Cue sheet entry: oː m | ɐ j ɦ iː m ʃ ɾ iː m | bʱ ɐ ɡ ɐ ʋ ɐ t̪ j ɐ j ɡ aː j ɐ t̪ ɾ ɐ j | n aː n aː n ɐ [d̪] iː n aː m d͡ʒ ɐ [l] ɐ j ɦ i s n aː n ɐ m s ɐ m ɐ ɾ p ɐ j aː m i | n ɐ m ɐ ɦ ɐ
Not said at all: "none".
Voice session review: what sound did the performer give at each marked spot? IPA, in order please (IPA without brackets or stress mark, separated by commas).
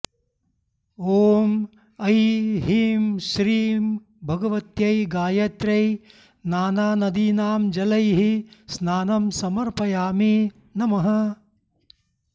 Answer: d̪, l